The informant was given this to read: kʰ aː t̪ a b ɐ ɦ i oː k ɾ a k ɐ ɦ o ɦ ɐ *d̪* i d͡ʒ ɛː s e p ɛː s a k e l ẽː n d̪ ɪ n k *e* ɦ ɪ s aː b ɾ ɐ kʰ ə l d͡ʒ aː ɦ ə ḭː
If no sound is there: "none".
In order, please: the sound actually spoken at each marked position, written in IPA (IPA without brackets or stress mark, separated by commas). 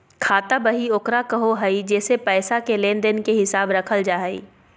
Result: none, e